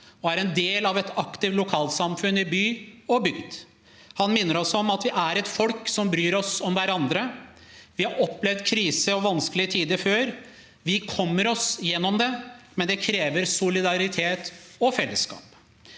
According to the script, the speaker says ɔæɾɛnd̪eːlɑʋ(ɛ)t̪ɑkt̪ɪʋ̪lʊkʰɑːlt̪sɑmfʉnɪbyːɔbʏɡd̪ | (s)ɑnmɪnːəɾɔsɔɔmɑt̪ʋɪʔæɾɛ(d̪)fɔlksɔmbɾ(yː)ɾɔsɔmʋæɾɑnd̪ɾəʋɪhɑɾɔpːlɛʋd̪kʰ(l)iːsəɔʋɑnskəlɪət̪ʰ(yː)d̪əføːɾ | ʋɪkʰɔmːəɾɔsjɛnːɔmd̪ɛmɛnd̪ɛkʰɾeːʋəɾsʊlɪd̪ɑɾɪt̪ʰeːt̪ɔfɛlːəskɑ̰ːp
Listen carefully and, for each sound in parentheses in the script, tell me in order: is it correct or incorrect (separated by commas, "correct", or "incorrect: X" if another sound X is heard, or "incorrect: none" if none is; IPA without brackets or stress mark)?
correct, incorrect: h, incorrect: t̪, correct, incorrect: ɾ, incorrect: iː